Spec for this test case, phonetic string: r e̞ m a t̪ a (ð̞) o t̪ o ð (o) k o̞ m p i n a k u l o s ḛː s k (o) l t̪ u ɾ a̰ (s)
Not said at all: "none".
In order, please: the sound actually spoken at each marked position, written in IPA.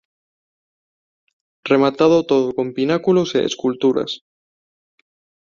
ð̞, o, u, s

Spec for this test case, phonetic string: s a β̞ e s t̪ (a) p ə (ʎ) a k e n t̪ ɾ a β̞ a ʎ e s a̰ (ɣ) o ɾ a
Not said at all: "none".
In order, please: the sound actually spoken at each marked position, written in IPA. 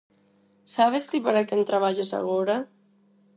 i, ɾ, ɣ

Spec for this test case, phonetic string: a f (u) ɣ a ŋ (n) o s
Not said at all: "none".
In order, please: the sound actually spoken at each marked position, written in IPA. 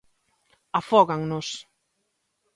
ɔ, n

